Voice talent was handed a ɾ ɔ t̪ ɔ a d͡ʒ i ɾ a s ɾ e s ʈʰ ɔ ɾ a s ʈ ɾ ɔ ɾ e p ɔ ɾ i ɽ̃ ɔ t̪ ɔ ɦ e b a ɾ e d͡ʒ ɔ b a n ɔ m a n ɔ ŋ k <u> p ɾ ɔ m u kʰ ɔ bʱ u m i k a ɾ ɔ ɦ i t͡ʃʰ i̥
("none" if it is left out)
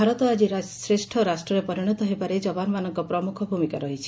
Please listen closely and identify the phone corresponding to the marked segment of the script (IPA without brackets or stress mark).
ɔ